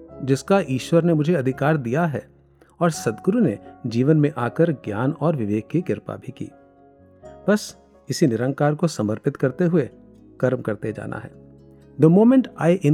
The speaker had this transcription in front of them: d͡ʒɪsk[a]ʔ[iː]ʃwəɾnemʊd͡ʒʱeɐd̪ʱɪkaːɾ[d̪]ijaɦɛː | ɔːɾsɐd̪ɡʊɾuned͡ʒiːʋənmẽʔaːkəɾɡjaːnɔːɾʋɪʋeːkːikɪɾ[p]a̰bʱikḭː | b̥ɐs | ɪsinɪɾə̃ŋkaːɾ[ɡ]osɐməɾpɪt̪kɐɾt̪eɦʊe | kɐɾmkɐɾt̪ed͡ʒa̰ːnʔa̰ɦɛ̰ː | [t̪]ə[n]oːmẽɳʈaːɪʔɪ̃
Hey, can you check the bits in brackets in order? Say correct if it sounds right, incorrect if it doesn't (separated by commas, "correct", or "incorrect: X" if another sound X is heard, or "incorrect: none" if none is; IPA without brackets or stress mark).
correct, correct, correct, correct, incorrect: k, incorrect: d̪, incorrect: m